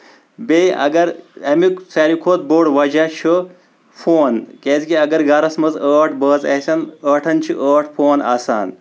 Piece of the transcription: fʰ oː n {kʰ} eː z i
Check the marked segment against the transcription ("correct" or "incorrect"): incorrect